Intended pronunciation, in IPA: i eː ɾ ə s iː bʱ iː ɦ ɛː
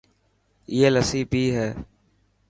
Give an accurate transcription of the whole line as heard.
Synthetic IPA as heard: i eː l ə s iː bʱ iː ɦ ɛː